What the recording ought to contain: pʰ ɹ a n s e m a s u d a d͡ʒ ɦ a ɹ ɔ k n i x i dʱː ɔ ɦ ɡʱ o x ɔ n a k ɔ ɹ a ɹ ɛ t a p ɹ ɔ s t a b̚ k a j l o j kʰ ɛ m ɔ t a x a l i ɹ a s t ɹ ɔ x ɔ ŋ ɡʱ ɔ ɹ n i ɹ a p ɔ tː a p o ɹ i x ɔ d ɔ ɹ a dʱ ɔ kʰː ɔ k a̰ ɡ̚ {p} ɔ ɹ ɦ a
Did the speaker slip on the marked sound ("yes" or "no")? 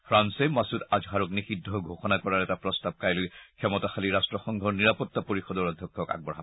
yes